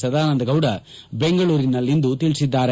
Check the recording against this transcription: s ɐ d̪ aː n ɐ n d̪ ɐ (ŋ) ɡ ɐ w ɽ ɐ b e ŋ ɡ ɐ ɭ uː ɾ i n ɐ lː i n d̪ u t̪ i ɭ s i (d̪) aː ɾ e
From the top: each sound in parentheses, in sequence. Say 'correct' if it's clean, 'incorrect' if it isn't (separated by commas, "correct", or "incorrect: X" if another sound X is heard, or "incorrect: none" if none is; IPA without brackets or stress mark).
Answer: incorrect: none, incorrect: d̪ː